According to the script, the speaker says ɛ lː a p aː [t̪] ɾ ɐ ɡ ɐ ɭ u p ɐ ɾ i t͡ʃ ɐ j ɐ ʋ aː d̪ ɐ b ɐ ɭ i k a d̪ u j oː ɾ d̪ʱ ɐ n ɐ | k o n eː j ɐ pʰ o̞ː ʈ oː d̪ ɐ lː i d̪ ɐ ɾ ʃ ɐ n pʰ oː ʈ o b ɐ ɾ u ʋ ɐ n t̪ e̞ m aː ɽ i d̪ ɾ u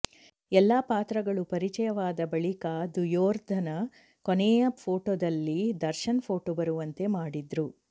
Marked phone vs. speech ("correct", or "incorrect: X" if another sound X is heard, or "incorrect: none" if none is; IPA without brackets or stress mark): correct